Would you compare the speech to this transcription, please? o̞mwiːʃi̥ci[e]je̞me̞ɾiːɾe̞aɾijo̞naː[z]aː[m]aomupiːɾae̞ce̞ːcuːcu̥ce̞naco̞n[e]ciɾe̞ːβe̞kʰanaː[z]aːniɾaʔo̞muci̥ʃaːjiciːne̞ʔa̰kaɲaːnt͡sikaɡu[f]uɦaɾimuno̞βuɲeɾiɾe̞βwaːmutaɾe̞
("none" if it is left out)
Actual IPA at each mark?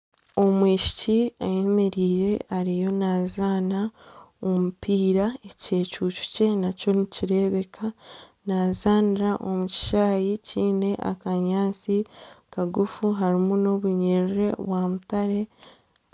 a, z, n, i, z, f

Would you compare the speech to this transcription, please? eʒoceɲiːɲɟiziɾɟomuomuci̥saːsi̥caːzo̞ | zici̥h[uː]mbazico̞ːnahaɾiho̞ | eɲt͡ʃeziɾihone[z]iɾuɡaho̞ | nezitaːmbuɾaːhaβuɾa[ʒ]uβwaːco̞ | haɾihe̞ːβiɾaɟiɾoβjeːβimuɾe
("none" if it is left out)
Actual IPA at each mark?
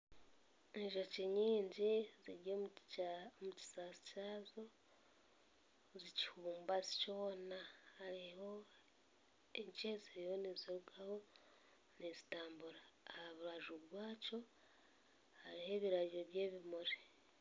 uː, z, ʒ

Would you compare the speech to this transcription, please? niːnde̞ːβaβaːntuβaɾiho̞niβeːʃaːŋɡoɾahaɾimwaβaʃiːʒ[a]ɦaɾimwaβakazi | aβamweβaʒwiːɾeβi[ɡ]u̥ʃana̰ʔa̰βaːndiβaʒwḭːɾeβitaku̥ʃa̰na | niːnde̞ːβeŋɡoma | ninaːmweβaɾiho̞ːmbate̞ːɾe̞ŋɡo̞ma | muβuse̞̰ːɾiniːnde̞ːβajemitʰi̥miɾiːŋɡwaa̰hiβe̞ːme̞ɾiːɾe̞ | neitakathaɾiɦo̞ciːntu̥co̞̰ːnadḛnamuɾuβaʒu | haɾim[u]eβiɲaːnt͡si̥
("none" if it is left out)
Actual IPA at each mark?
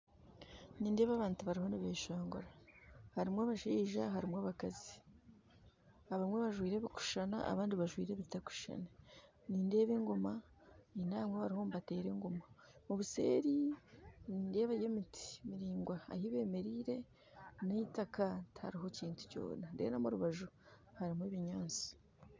a, k, w

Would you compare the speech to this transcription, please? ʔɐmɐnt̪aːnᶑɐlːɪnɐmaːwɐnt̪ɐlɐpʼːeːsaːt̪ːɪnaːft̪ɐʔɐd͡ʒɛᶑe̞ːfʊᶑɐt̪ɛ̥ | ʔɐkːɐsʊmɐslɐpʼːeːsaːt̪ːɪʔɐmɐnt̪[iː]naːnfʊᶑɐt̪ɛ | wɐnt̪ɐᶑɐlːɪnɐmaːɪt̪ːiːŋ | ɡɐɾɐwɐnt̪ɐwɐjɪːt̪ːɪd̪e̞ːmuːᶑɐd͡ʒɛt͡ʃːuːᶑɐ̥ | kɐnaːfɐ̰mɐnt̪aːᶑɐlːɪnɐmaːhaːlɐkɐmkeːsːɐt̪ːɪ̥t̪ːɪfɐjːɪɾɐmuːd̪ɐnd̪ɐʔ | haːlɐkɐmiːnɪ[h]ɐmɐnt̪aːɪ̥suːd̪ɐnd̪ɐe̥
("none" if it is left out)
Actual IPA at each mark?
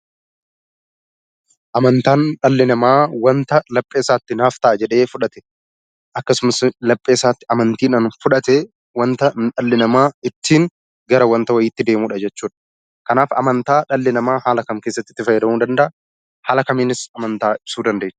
iː, s

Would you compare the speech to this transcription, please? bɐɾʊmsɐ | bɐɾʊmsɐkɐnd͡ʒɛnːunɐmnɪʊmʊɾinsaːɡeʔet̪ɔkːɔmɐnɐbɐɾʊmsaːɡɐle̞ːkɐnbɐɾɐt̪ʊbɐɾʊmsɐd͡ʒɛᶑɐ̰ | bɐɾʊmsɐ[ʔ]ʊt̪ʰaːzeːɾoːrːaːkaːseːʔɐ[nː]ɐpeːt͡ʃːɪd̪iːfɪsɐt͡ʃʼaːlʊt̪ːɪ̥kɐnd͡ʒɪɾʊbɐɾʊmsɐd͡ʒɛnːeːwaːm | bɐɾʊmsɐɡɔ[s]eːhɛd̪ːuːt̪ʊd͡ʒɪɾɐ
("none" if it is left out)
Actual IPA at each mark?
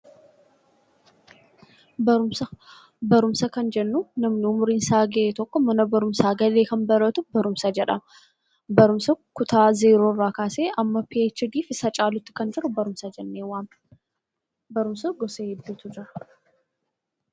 k, mː, s

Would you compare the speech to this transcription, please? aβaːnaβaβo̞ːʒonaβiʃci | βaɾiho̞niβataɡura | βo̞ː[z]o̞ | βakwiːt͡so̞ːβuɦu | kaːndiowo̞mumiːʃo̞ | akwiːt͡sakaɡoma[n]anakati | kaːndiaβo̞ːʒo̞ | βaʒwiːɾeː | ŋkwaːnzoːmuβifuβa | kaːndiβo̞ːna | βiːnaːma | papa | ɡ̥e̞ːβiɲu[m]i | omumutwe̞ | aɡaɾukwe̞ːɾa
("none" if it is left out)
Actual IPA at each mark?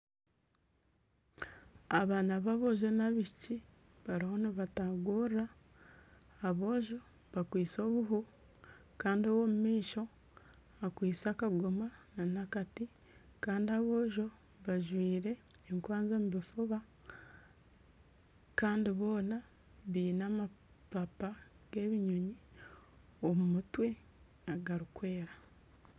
ʒ, n, ɲ

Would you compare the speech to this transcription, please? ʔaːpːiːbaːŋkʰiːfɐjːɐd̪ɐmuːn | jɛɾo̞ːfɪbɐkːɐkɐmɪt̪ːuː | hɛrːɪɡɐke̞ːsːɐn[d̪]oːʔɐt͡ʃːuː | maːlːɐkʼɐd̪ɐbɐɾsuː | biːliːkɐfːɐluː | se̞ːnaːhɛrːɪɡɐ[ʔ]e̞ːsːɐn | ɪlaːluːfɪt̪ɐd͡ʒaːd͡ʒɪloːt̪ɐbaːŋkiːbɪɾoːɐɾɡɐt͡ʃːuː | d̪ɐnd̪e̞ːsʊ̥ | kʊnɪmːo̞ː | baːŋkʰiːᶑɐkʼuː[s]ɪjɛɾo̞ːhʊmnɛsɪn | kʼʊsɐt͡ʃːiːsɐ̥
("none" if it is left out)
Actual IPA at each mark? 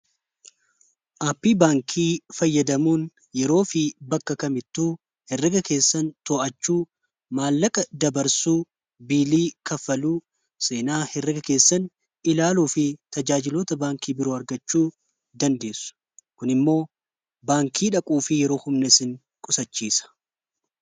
t̪, k, f

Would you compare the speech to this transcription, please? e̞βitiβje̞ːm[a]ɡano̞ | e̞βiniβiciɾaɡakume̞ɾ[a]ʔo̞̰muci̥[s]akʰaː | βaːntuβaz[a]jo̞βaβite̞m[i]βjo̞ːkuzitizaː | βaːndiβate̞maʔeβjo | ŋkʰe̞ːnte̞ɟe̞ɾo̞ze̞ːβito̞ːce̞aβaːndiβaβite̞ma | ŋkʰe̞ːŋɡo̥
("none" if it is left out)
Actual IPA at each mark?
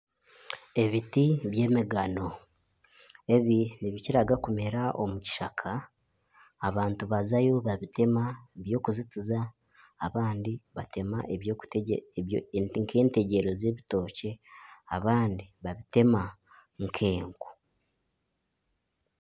i, a, ʃ, a, a

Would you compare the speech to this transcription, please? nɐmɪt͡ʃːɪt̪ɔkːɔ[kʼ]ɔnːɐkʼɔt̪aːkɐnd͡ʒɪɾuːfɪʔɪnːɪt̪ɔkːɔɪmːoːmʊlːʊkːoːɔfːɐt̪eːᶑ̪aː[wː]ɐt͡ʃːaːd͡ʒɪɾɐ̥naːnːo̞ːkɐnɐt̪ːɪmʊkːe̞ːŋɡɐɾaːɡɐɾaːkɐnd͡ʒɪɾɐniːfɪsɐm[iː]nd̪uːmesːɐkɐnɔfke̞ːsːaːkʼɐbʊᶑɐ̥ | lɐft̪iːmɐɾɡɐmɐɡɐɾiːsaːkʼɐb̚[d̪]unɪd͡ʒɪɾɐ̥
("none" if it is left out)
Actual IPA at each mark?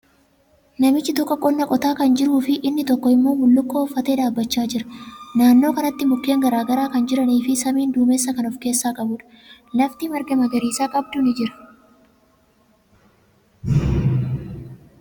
kʼ, bː, iː, d̪

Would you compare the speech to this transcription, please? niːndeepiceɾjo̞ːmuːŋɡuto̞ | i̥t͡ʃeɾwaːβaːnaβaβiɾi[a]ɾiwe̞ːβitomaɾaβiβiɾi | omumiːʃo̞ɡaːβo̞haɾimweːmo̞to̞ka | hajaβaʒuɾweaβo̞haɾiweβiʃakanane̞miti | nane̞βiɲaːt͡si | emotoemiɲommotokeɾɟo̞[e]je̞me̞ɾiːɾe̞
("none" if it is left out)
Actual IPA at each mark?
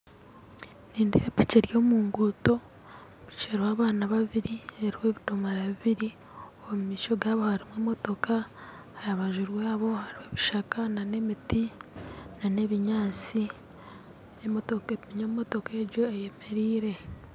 e, e

